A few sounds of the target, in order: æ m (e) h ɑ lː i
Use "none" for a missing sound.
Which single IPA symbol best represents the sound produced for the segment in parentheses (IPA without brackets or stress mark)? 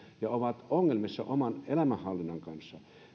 æ